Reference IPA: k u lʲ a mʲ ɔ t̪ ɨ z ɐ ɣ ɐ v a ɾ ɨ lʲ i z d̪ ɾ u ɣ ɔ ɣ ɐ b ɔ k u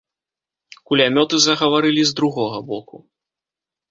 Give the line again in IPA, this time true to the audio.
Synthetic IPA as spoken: k u lʲ a mʲ ɔ t̪ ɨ z ɐ ɣ ɐ v a ɾ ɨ lʲ i z d̪ ɾ u ɣ ɔ ɣ ɐ b ɔ k u